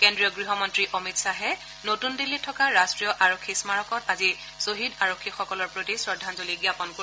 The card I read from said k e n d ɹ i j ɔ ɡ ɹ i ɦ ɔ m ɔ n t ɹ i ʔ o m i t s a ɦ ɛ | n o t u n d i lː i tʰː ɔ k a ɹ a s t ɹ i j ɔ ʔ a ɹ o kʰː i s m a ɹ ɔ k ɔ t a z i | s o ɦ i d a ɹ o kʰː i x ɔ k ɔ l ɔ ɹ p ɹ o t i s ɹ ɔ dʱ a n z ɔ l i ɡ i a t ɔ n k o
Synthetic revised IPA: k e n d ɹ i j ɔ ɡ ɹ i ɦ ɔ m ɔ n t ɹ i ʔ o m i t s a ɦ ɛ | n o t u n d i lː i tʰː ɔ k a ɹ a s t ɹ i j ɔ ʔ a ɹ o kʰː i s m a ɹ ɔ k ɔ t a z i | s o ɦ i d a ɹ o kʰː i x ɔ k ɔ l ɔ ɹ p ɹ o t i s ɹ ɔ dʱ a n z o l i ɡ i a p ɔ n k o